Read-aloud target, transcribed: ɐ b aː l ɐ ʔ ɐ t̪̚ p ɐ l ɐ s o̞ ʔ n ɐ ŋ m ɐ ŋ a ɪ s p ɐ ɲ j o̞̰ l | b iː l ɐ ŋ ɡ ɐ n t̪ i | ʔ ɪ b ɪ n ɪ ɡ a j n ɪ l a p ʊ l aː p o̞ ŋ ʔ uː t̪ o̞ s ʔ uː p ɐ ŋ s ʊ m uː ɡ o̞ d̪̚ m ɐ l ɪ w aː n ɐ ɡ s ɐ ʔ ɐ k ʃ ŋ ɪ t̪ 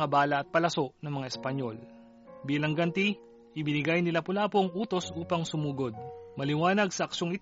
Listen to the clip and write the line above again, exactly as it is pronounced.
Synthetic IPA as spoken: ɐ b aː l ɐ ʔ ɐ t̪̚ p ɐ l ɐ s o̞ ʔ n ɐ ŋ m ɐ ŋ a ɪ s p ɐ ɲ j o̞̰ l | b iː l ɐ ŋ ɡ ɐ n t̪ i | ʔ ɪ b ɪ n ɪ ɡ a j n ɪ l a p ʊ l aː p o̞ ŋ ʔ uː t̪ o̞ s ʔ uː p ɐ ŋ s ʊ m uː ɡ o̞ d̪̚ m ɐ l ɪ w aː n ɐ ɡ s ɐ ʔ ɐ k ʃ ŋ ɪ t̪